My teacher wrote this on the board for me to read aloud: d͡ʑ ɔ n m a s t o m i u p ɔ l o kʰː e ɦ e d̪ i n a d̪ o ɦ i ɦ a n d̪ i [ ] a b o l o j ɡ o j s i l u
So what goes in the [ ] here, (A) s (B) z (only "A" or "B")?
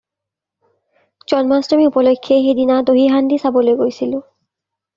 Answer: A